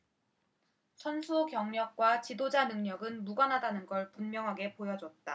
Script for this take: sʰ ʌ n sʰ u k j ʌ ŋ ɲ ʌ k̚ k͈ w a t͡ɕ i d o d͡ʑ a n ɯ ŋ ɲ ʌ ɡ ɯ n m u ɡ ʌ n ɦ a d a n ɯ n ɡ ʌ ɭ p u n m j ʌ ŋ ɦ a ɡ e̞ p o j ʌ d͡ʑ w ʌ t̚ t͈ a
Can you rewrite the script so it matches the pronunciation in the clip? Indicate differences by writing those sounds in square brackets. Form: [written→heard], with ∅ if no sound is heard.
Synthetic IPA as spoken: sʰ ʌ n sʰ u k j ʌ ŋ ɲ ʌ k̚ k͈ w a t͡ɕ i d o d͡ʑ a n ɯ ŋ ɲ ʌ ɡ ɯ n m u ɡ ʌ n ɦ a d a n ɯ n ɡ ʌ ɭ p u n m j ʌ ŋ ɦ a ɡ e̞ p o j ʌ d͡ʑ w ʌ t̚ t͈ a